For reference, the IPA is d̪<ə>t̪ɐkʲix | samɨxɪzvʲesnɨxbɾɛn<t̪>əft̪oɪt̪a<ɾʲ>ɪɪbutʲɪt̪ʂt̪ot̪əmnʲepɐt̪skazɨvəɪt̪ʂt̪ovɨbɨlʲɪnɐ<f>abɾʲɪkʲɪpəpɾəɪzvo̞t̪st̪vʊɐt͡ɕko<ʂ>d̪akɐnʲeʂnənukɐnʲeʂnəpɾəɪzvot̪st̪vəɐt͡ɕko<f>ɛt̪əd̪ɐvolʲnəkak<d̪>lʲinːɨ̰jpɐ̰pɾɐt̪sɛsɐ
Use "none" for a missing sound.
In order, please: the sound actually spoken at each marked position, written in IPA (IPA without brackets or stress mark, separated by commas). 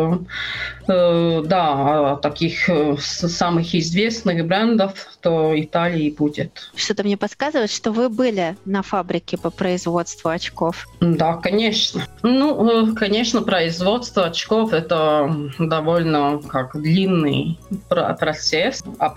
a, d̪, lʲ, f, f, f, d̪